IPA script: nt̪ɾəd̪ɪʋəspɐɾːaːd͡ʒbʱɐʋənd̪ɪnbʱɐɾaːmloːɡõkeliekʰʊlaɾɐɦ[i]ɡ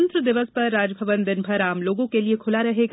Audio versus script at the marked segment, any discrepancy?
yes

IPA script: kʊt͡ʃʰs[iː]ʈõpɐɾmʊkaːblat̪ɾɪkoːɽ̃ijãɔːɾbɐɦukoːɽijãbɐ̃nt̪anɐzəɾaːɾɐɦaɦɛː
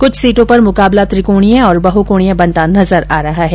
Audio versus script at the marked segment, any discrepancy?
no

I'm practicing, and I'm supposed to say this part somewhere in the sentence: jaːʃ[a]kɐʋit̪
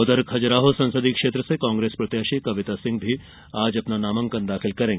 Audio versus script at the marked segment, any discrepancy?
yes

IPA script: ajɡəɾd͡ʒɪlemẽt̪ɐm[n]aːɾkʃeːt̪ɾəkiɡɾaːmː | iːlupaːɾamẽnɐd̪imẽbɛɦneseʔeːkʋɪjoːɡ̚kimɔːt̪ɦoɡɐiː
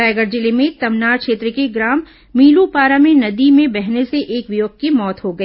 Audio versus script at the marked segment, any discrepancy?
no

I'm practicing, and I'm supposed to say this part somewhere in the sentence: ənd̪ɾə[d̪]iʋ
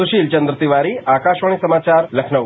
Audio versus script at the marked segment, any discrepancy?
yes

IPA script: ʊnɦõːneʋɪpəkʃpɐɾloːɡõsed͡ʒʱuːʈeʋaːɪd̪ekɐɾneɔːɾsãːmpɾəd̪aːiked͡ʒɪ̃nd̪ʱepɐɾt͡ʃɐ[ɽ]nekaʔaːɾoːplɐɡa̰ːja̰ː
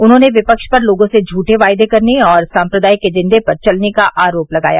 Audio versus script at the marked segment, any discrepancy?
yes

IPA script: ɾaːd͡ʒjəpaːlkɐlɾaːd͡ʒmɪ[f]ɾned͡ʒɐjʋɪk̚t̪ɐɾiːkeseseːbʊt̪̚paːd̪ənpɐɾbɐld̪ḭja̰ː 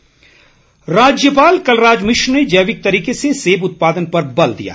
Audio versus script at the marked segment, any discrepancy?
yes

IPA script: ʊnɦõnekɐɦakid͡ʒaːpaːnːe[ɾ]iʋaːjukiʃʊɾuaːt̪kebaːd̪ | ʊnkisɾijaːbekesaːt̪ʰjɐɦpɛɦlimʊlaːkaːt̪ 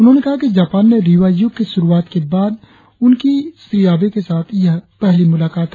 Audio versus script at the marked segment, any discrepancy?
no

